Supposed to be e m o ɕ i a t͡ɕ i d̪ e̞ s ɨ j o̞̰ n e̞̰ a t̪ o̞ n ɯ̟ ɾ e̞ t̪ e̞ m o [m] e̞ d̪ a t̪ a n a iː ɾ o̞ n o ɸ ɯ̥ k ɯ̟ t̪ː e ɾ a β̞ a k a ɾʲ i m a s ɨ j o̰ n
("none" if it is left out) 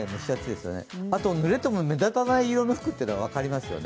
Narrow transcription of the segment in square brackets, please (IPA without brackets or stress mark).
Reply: m